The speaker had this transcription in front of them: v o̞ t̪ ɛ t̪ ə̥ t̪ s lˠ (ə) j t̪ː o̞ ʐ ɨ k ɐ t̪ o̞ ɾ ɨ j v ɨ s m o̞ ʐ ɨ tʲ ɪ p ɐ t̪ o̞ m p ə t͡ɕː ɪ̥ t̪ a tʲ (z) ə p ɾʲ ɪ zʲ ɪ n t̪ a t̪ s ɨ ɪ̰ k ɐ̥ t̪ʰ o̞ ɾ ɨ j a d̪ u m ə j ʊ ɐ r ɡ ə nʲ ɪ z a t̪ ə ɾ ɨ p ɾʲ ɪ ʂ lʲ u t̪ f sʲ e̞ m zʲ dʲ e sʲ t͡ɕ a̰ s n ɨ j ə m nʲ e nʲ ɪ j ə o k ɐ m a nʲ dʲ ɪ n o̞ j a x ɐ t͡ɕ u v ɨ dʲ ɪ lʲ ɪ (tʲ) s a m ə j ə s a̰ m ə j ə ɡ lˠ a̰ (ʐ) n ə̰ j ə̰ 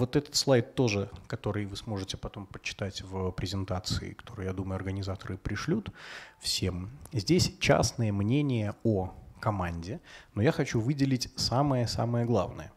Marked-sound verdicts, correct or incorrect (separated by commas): incorrect, incorrect, correct, incorrect